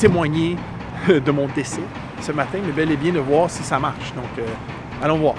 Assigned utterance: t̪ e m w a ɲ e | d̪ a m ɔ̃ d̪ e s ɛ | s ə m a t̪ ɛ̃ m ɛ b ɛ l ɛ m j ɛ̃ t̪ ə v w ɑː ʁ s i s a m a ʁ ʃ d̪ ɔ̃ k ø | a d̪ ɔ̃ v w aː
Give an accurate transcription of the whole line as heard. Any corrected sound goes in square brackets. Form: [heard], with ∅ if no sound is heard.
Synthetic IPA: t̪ e m w a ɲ e | d̪ [ə] m ɔ̃ d̪ e s ɛ | s ə m a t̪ ɛ̃ m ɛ b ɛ l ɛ [b] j ɛ̃ [d̪] ə v w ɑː ʁ s i s a m a ʁ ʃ d̪ ɔ̃ k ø | a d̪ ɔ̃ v w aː